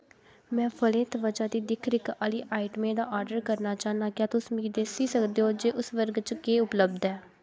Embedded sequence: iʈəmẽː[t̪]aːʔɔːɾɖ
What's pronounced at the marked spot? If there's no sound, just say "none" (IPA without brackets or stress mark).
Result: d̪